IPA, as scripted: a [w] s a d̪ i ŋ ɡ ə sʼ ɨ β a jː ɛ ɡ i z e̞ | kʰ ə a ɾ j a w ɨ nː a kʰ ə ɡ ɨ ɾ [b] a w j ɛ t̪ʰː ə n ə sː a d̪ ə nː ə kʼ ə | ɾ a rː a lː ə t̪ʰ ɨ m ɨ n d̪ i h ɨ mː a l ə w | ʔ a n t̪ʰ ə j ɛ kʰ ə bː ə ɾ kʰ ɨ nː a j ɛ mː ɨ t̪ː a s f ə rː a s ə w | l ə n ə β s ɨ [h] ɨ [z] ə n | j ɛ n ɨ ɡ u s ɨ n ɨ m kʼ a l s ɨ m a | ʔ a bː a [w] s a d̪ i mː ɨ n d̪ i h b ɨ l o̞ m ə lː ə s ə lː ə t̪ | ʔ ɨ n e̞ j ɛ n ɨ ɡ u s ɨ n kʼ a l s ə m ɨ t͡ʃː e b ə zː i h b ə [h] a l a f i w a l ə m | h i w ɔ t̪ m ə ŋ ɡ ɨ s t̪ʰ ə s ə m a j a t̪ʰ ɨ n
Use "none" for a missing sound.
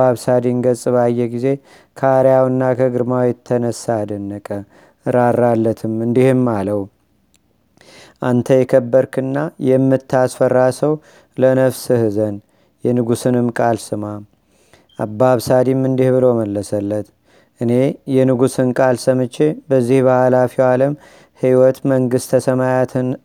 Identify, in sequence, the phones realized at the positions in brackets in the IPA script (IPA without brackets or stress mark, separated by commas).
β, m, h, z, β, h